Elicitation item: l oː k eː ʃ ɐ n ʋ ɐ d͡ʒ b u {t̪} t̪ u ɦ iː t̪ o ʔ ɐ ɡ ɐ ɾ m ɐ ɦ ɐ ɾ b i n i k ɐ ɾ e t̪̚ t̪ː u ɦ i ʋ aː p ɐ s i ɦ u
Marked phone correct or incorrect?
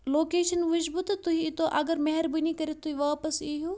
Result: correct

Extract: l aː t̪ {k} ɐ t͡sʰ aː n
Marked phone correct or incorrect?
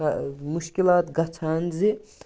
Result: incorrect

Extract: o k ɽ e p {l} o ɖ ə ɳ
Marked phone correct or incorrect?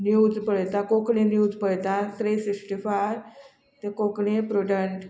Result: incorrect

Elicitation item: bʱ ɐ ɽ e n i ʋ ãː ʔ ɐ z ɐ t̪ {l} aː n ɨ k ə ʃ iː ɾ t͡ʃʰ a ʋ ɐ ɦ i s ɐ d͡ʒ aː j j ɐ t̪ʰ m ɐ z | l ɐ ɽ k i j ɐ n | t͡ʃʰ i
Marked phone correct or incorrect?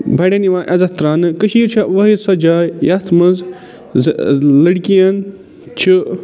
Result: incorrect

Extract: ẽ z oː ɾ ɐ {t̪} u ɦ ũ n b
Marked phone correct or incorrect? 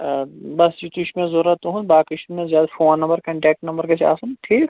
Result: correct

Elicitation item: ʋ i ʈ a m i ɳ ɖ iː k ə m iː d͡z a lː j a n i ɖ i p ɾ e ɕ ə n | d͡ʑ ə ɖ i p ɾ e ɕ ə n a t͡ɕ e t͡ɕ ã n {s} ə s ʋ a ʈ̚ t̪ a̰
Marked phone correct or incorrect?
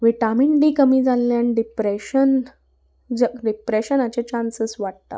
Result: correct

